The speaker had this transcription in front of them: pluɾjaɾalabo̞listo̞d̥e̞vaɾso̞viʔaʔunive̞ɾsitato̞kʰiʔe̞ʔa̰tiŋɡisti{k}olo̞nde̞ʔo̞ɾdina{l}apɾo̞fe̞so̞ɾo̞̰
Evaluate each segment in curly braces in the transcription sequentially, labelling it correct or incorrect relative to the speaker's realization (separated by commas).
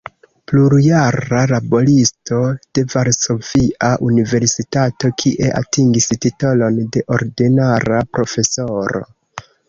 incorrect, incorrect